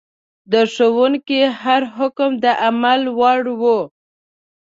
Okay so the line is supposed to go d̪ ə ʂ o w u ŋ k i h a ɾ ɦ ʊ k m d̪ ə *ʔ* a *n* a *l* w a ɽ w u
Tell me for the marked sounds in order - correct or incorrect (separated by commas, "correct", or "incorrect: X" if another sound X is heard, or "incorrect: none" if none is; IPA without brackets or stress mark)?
correct, incorrect: m, correct